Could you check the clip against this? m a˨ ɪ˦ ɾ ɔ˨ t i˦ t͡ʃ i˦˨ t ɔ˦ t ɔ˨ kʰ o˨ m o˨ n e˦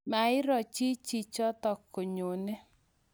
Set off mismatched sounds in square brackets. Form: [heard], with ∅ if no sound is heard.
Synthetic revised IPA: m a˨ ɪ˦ ɾ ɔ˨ [t͡ʃ] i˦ t͡ʃ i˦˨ [t͡ʃ] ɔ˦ t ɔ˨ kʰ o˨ [ɲ] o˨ n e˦